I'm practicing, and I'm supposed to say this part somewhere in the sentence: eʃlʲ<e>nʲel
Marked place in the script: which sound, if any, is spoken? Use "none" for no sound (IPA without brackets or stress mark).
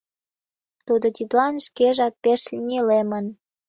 i